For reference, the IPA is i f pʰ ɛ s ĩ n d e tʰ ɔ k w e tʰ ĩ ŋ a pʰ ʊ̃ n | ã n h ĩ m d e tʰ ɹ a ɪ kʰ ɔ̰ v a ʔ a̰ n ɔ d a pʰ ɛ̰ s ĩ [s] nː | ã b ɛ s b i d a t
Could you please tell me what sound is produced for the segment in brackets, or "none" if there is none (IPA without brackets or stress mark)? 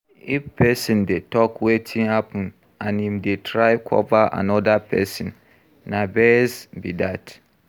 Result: none